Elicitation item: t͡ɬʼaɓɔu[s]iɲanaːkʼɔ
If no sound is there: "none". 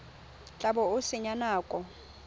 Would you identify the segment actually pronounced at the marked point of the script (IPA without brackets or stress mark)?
s